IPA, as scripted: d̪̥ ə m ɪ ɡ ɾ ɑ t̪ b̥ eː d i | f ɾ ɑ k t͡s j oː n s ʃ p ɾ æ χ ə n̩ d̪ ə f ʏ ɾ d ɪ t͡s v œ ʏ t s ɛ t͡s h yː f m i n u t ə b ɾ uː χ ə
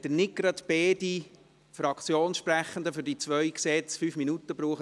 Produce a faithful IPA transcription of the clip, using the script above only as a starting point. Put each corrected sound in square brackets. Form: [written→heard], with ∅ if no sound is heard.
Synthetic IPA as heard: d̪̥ ə [m→n] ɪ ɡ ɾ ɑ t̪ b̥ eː d i | f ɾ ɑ k t͡s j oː n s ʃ p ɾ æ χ ə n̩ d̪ ə f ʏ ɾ d [ɪ→i] t͡s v œ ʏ [t→k] s ɛ t͡s [h→f] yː f m i n u t ə b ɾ uː χ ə